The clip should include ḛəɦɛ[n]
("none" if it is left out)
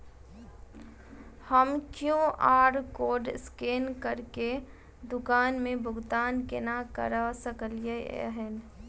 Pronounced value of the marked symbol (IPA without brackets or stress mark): n